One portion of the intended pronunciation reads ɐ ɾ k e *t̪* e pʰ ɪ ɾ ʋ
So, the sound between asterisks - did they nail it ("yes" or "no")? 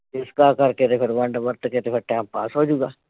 yes